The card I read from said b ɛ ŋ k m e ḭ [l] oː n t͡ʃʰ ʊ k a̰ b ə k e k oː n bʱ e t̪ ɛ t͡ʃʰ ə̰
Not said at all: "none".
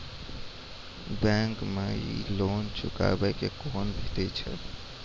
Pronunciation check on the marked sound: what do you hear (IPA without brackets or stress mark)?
l